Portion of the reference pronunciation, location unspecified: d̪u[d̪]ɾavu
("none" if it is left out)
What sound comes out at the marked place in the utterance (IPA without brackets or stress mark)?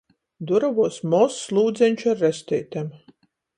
none